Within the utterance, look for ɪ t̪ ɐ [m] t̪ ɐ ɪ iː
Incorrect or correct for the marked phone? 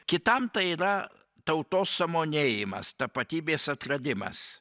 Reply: correct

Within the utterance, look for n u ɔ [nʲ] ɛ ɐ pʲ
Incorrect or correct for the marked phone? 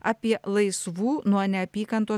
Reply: correct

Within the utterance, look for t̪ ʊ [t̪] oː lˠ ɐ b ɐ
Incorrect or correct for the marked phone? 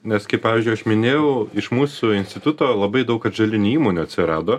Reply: correct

